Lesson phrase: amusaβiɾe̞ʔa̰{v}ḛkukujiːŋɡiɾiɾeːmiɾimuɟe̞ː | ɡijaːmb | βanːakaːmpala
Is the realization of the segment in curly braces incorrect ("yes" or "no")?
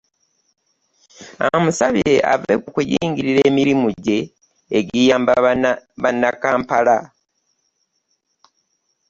no